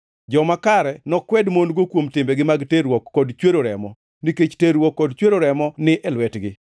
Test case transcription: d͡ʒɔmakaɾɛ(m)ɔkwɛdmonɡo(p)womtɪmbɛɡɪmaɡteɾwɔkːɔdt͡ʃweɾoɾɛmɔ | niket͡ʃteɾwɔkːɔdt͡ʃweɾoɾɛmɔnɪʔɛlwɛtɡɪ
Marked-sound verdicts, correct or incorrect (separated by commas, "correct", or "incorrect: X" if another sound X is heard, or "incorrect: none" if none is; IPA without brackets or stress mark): incorrect: n, incorrect: k